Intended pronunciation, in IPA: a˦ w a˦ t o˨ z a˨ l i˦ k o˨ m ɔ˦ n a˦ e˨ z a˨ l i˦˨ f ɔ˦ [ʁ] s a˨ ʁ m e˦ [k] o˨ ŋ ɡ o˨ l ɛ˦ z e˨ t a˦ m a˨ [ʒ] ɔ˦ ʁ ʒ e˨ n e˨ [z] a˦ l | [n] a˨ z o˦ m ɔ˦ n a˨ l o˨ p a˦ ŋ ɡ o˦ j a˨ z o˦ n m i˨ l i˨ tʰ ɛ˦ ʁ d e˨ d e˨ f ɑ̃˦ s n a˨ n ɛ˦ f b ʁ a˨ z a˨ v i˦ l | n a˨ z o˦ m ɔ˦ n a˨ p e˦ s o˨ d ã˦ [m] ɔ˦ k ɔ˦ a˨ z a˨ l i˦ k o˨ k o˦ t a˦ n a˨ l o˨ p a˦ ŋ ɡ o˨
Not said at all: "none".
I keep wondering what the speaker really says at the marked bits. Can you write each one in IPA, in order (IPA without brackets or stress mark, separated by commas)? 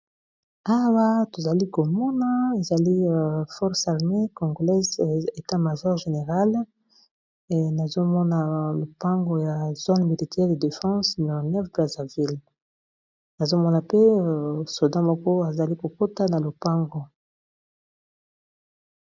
ʁ, k, ʒ, ʁ, n, m